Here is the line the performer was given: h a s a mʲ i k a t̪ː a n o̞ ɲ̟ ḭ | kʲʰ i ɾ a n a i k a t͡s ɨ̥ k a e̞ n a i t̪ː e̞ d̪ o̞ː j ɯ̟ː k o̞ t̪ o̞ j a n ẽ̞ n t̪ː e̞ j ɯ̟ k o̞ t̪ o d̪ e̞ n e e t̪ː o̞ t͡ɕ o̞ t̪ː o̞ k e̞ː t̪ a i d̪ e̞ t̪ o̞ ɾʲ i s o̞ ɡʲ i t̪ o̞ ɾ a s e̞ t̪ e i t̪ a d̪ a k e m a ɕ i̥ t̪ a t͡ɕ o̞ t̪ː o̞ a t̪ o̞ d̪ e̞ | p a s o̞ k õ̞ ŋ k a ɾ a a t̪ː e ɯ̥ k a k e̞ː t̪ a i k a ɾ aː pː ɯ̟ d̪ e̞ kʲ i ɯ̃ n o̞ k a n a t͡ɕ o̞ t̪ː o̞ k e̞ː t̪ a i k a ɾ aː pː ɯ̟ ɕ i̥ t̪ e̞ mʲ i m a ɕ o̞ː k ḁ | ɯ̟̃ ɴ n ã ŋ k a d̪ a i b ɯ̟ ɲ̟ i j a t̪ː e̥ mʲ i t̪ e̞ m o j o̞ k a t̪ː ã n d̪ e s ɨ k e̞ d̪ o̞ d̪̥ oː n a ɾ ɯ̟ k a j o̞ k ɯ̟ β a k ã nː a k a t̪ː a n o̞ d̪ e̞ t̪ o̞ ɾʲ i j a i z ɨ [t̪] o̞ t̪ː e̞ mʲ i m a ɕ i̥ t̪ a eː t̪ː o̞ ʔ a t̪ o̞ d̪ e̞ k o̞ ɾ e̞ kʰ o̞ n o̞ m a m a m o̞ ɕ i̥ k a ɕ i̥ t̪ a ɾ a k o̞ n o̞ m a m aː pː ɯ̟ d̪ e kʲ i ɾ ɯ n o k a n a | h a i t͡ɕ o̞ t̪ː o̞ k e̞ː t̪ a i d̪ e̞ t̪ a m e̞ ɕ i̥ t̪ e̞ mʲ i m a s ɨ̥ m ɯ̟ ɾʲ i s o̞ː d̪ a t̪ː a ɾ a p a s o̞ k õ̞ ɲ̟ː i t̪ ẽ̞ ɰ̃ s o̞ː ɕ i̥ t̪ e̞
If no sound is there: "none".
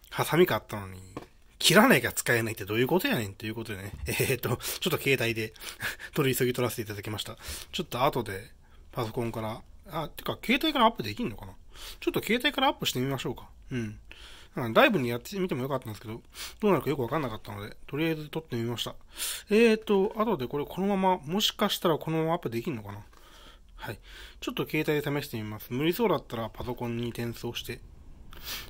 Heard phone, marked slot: t̪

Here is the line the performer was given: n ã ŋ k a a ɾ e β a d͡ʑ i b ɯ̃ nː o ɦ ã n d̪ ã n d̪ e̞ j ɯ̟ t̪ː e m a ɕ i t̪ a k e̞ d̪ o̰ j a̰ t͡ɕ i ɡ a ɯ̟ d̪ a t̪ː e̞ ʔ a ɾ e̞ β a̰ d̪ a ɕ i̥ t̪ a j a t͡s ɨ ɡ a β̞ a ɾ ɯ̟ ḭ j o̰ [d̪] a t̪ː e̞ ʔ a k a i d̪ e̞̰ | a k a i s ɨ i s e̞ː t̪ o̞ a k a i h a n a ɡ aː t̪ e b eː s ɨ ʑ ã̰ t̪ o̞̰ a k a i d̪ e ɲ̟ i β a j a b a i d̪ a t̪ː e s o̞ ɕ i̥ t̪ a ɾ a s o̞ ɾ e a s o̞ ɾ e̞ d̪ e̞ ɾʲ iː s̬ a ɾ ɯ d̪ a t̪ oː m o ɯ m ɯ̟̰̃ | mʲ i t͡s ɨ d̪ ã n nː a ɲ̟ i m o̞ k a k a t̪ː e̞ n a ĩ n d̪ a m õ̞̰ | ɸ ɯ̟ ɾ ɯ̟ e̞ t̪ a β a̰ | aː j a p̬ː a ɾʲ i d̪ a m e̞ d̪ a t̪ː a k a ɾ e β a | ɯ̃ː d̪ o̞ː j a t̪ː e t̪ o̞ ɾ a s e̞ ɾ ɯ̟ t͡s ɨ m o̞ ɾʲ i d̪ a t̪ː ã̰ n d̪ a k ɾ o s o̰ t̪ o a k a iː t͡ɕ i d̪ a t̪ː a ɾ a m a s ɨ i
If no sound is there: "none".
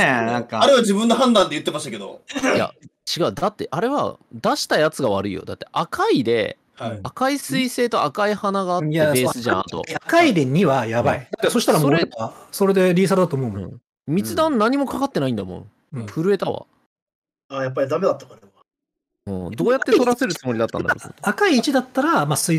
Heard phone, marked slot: d̪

